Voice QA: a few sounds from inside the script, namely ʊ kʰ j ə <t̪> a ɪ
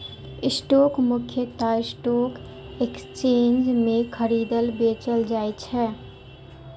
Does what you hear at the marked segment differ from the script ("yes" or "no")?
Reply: no